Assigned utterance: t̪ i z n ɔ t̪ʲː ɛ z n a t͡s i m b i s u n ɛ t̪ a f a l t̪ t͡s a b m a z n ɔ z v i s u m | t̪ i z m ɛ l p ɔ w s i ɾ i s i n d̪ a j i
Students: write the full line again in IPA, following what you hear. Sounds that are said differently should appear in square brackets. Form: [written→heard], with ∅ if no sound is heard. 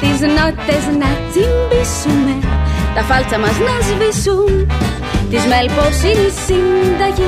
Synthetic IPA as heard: t̪ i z n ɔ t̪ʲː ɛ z n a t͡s i m b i s u [n→m] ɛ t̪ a f a l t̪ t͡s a [b→∅] m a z n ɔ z v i s u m | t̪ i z m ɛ l p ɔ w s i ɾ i s i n d̪ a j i